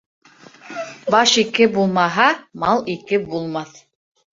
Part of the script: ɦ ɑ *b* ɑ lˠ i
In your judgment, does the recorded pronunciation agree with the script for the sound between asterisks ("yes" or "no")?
no